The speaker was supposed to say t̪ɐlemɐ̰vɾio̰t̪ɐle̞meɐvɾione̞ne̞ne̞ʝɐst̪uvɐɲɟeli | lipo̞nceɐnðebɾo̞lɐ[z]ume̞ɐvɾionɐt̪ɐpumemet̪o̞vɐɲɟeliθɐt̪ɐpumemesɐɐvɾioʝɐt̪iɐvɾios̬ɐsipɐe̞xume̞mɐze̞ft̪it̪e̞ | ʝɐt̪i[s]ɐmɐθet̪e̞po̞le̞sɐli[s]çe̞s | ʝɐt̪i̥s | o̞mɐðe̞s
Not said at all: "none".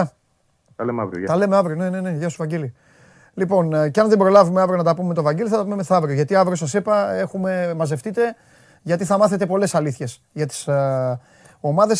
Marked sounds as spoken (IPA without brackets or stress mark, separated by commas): v, θ, θ